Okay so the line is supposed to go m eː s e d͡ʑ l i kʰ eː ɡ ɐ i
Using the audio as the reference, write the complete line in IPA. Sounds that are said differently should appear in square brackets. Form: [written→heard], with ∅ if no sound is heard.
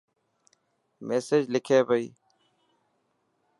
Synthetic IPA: m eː s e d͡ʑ l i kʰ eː [ɡ→b] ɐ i